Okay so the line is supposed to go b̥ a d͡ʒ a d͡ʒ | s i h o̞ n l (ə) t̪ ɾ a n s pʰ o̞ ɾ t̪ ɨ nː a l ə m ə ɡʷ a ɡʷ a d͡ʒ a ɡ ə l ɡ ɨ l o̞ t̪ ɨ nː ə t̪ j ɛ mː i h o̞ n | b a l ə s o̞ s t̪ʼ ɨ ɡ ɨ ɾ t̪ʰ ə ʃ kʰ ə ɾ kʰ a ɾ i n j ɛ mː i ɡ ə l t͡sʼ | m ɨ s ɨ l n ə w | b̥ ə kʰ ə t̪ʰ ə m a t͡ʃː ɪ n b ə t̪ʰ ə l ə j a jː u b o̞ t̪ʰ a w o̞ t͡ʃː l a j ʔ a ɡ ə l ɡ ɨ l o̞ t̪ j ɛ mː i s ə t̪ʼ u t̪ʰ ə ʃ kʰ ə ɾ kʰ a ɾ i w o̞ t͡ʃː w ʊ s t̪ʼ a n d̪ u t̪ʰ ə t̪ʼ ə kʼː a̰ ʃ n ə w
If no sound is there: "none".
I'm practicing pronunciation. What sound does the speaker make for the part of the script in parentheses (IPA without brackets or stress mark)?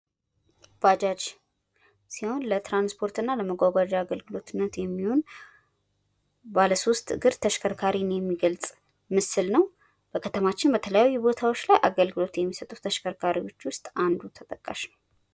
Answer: ə